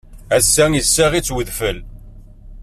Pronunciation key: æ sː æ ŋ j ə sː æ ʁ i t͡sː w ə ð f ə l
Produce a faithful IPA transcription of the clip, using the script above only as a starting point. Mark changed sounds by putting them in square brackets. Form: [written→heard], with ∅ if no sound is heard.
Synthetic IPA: æ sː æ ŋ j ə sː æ ʁ i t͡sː w ə ð f ə l